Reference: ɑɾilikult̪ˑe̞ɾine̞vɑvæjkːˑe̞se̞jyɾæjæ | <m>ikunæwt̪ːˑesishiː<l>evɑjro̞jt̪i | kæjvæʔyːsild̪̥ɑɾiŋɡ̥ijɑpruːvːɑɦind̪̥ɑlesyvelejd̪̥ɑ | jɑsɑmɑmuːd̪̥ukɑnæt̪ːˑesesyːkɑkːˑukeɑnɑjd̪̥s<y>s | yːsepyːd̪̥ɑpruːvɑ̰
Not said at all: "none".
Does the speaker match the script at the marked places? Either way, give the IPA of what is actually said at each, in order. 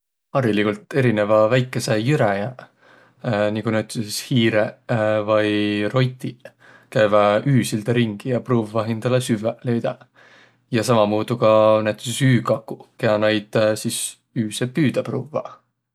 n, ɾ, i

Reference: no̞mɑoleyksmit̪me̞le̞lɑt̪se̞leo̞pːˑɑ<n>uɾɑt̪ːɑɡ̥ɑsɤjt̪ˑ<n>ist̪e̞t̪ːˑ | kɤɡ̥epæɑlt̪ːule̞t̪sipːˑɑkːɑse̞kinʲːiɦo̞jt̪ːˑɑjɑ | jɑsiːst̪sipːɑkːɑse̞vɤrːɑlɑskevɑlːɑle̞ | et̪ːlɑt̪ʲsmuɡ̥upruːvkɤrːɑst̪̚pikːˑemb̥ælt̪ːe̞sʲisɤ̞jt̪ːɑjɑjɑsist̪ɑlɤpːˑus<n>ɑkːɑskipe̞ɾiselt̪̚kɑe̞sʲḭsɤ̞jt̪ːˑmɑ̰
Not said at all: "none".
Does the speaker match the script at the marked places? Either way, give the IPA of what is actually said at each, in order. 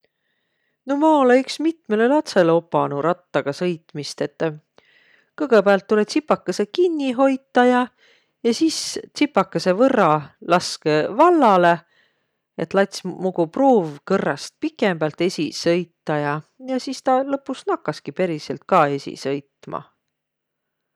n, m, n

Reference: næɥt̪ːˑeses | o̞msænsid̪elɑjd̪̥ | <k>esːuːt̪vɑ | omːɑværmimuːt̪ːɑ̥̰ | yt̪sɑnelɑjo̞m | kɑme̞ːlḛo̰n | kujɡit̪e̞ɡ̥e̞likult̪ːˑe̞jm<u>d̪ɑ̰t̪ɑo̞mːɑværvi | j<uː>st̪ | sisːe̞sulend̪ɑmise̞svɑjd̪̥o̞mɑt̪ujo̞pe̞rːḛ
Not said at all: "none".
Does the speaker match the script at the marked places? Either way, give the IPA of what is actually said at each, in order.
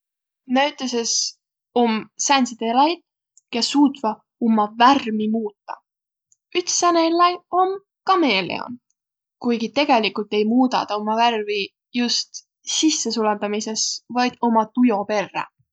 k, uː, u

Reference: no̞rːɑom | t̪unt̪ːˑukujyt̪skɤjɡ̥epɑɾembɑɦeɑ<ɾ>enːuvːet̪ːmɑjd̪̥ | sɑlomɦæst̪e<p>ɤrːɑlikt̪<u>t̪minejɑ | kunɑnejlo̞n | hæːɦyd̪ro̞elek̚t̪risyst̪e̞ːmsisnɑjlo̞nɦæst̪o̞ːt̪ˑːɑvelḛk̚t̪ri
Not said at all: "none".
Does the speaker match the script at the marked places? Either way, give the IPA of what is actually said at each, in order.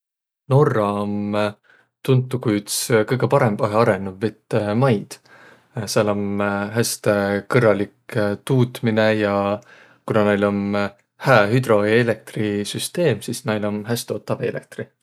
ɾ, k, uː

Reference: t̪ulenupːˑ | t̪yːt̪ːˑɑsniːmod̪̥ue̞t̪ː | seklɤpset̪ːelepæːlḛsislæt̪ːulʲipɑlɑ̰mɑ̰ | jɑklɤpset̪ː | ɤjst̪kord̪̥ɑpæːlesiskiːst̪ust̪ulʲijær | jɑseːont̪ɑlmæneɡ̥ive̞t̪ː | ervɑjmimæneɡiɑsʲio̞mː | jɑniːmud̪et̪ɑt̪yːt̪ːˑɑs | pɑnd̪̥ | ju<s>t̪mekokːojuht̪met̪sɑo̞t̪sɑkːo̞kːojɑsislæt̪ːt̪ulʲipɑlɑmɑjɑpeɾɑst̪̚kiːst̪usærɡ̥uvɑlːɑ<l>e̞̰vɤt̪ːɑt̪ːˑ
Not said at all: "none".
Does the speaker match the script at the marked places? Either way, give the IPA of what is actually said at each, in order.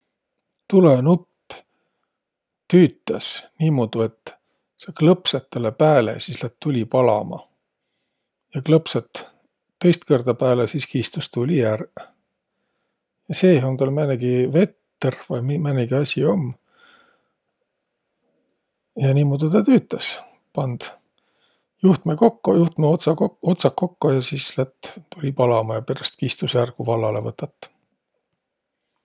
h, l

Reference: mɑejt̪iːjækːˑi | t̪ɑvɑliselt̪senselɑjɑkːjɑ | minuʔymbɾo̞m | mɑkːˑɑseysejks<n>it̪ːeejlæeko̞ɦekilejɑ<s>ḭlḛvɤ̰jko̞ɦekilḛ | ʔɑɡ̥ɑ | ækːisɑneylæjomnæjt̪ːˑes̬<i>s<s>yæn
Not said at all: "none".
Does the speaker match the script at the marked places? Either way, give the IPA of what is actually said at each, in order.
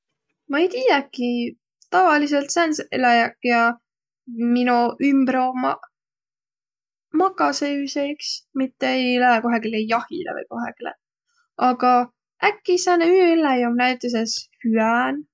m, h, e, h

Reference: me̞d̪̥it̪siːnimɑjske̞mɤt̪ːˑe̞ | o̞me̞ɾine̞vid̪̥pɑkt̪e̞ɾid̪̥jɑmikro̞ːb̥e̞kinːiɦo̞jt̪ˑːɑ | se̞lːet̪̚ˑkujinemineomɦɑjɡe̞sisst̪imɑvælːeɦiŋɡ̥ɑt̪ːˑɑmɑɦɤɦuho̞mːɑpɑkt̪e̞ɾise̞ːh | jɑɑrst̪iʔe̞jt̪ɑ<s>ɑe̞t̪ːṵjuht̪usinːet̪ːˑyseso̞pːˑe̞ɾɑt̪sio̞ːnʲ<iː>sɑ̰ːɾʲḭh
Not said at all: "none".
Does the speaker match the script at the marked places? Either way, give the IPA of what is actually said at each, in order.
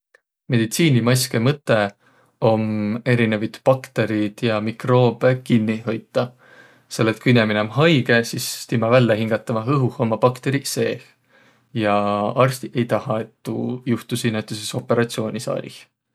h, i

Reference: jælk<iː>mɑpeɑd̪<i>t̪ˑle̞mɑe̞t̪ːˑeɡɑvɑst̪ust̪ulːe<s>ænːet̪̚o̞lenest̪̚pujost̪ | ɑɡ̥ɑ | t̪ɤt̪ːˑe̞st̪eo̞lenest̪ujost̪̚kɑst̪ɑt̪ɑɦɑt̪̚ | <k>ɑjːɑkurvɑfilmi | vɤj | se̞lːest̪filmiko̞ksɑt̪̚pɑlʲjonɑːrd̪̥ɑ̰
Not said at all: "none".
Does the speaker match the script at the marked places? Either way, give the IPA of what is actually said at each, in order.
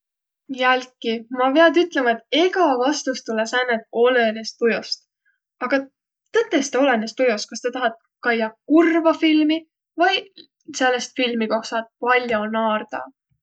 i, y, s, k

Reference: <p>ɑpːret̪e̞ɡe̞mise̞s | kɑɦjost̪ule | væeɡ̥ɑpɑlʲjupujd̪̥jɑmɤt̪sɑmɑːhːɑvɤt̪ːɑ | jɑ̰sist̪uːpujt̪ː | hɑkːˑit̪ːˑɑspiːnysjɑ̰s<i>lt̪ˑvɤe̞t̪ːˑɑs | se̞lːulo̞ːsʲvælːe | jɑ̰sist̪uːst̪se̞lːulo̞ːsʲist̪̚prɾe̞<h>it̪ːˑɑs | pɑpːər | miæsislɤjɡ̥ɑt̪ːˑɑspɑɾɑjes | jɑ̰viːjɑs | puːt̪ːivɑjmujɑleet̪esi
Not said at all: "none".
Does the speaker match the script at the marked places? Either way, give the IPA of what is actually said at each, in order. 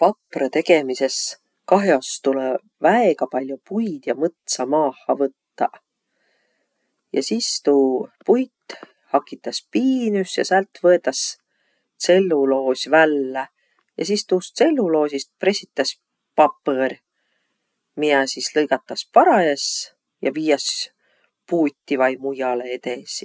p, æ, s

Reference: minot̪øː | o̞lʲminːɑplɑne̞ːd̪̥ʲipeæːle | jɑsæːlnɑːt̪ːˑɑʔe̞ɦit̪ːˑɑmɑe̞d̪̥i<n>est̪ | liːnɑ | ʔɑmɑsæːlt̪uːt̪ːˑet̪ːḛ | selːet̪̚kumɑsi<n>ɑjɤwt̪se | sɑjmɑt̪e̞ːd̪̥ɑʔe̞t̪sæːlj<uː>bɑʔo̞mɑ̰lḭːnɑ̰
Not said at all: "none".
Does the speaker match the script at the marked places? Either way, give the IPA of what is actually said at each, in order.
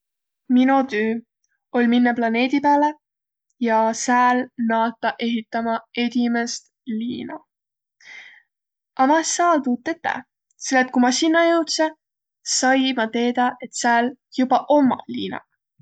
m, nː, u

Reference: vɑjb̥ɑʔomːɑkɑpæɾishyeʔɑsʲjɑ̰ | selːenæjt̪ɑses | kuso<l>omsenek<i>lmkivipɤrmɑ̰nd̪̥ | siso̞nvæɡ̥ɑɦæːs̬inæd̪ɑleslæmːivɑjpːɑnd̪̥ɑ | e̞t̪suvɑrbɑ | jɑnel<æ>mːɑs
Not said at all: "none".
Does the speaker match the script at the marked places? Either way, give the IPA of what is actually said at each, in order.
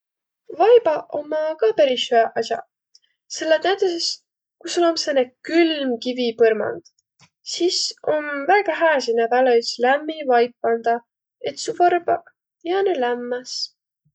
l, y, æ

